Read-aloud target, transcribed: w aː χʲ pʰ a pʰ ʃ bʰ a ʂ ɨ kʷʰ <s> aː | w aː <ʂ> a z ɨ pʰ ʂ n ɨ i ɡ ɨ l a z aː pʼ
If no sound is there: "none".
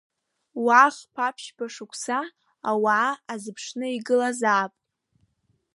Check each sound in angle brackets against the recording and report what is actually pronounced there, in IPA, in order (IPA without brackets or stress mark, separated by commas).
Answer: s, none